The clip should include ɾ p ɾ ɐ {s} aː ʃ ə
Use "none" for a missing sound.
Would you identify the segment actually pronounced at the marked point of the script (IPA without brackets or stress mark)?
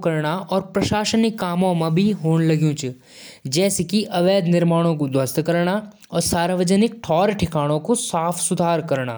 ʃ